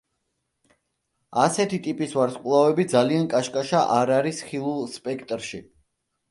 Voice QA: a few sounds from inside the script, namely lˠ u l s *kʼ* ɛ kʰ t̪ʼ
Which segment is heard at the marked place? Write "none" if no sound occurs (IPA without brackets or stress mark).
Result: pʼ